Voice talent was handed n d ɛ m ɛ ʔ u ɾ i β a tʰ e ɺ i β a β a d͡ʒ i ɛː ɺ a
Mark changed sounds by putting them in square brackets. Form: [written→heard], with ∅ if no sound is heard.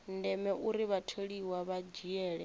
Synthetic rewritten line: n d ɛ m ɛ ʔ u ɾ i β a tʰ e ɺ i [β→w] a β a d͡ʒ i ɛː ɺ [a→ɛ]